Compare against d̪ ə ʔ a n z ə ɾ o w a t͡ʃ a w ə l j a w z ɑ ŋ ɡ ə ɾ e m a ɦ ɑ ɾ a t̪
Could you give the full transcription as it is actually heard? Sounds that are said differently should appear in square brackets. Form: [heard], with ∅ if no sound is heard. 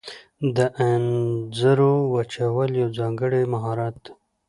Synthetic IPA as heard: d̪ ə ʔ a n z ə ɾ o w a t͡ʃ a w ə l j a w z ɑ ŋ ɡ ə [ɽ] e m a ɦ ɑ ɾ a t̪

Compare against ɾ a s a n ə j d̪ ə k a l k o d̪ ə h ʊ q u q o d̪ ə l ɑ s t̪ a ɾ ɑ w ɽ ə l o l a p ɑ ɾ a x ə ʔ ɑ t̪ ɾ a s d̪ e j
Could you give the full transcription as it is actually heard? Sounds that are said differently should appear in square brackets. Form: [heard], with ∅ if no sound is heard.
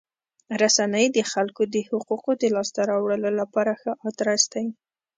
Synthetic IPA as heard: ɾ a s a n ə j d̪ ə [x] a l k o d̪ ə h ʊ q u q o d̪ ə l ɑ s t̪ a ɾ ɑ w ɽ ə l o l a p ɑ ɾ a x ə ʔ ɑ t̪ ɾ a s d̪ [a] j

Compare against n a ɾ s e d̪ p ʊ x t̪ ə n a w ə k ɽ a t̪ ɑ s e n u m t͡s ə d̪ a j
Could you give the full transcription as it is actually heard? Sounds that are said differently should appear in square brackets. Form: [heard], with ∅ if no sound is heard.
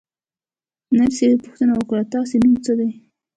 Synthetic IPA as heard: n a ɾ s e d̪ p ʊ x t̪ ə n a w ə k ɽ a t̪ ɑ s e n u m t͡s ə d̪ a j

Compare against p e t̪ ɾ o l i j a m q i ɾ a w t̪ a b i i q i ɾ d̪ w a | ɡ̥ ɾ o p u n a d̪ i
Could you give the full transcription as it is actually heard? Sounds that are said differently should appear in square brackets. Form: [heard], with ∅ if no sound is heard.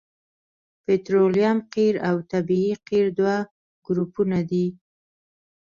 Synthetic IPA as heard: p e t̪ ɾ o l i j a m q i ɾ a w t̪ a b i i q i ɾ d̪ w a | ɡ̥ ɾ [u] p u n a d̪ i

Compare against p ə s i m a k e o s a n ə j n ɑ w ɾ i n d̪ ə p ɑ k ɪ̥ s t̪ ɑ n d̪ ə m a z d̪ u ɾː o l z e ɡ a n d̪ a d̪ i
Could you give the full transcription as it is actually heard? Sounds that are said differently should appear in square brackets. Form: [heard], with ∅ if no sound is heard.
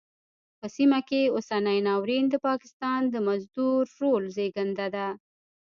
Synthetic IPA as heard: p ə s i m a k e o s a n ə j n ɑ w ɾ i n d̪ ə p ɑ k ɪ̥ s t̪ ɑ n d̪ ə m a z d̪ u ɾː o l z e ɡ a n d̪ a d̪ [a]

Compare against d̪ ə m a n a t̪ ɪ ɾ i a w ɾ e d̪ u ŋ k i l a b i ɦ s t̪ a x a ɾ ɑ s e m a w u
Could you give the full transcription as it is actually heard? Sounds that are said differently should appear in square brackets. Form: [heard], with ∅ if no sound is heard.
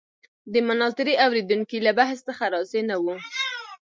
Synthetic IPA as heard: d̪ ə m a n [ɑ] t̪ ɪ ɾ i a w ɾ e d̪ u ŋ k i l a b [a] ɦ s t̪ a x a ɾ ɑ s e [n] a w u

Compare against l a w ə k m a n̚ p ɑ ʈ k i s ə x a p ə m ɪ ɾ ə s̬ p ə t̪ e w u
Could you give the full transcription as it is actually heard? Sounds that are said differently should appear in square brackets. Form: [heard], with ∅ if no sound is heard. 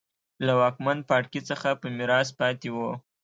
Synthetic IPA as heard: l a w [ɑ] k m a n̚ p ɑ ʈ k i [t͡s] ə x a p ə m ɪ ɾ [ɑ] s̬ p [ɑ] t̪ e w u

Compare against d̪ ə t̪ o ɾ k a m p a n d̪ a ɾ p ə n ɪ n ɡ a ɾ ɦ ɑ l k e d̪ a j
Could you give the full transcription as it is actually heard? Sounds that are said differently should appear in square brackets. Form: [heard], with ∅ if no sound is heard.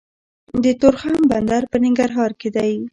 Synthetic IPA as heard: d̪ ə t̪ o ɾ [x] a m [b] a n d̪ a ɾ p ə n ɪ [ŋ] ɡ a ɾ ɦ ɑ [ɾ] k e d̪ a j

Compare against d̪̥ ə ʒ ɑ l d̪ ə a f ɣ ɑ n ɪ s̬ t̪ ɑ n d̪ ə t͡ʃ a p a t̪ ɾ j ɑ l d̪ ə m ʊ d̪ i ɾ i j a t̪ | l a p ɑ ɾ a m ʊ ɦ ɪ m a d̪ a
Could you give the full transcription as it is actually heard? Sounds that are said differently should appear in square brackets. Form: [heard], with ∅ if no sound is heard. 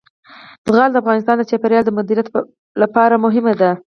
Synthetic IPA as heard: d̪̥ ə [ɣ] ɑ l d̪ ə a f ɣ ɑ n ɪ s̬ t̪ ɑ n d̪ ə t͡ʃ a p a [∅] ɾ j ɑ l d̪ ə m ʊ d̪ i ɾ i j a t̪ | l a p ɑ ɾ a m ʊ ɦ ɪ m a d̪ a

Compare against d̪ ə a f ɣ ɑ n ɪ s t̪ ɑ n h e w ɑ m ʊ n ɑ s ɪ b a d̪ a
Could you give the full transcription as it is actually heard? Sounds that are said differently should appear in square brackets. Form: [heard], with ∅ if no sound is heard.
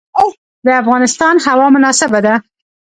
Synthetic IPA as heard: d̪ ə a f ɣ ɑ n ɪ s t̪ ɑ n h [a] w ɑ m ʊ n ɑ s ɪ b a d̪ a

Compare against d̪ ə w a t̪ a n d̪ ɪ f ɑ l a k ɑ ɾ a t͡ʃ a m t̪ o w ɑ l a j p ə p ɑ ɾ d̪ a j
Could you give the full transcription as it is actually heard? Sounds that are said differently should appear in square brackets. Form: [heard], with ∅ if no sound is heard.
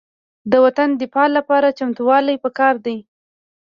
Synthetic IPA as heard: d̪ ə w a t̪ a n d̪ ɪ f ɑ l a [p] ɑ ɾ a t͡ʃ a m t̪ [u] w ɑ l a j p ə [k] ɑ ɾ d̪ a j

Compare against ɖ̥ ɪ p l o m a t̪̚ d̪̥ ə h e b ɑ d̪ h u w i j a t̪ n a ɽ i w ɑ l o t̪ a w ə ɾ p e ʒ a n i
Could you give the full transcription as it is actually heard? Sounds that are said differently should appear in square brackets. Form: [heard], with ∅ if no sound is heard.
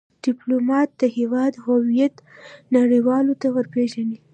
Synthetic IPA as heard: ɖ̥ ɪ p l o m [ɑ] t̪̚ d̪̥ ə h e [w] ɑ d̪ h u w i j a t̪ n a ɽ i w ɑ l o t̪ a w ə ɾ p e ʒ a n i

